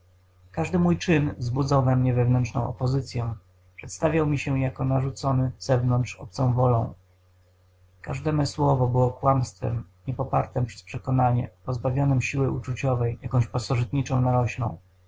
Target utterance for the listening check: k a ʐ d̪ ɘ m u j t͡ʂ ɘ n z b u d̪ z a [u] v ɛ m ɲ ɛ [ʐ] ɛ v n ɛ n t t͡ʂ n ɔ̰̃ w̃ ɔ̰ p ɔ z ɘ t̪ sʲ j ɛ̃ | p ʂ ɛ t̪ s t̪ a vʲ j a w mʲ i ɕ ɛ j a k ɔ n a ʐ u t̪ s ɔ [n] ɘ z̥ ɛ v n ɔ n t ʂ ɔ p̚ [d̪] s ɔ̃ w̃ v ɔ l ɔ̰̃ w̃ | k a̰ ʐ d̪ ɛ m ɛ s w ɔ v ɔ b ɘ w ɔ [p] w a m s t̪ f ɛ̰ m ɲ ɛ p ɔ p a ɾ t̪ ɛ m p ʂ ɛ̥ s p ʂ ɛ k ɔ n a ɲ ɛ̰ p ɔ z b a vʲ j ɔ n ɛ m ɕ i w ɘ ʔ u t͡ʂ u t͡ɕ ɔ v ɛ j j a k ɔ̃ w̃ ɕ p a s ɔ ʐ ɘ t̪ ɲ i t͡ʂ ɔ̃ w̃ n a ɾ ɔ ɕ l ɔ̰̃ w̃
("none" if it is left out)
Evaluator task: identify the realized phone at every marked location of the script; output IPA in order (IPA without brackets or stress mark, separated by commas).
w, v, n, t̪, k